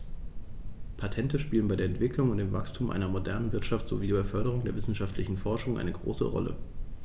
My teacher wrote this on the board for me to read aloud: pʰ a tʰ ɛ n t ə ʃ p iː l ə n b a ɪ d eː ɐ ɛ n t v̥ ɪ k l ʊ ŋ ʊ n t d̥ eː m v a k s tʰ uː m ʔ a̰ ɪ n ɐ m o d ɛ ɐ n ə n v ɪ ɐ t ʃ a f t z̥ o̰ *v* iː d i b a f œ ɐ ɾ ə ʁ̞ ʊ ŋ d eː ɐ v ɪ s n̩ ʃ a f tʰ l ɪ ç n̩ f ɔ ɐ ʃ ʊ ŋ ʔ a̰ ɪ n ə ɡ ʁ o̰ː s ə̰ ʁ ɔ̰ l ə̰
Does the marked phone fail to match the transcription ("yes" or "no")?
no